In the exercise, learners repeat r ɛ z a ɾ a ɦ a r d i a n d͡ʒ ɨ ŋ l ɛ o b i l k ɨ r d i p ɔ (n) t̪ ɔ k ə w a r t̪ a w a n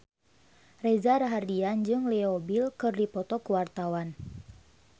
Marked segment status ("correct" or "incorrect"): incorrect